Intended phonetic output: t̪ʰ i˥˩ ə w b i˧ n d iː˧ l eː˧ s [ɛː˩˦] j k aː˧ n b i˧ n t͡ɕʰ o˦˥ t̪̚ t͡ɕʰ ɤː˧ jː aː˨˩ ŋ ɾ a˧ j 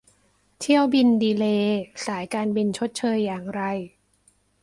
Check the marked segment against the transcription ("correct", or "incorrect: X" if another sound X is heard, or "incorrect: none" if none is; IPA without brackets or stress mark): incorrect: aː˩˦